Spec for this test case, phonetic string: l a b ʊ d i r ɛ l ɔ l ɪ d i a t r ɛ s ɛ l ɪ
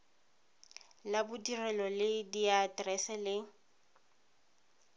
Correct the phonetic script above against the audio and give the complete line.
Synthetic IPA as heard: l a b ʊ d i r ɛ l ɔ l ɪ d i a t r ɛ s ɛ l ɪ